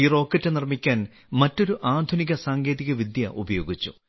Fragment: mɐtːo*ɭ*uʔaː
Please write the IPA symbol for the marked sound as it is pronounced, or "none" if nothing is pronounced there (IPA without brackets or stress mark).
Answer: ɾ